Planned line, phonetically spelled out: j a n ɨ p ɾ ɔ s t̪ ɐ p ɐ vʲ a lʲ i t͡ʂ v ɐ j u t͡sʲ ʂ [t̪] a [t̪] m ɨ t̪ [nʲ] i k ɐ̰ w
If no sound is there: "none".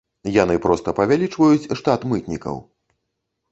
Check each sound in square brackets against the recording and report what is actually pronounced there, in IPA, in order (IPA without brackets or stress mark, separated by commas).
t̪, t̪, nʲ